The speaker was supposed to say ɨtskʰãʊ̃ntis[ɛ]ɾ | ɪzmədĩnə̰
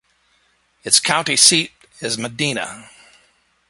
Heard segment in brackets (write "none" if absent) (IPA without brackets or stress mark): i